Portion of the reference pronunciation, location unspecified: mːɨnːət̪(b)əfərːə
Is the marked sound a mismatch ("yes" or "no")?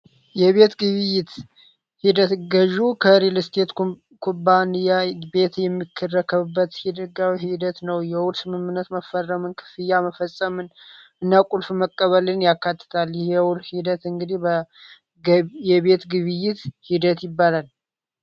yes